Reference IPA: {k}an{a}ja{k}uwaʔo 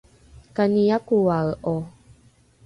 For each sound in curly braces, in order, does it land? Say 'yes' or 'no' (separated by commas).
yes, no, yes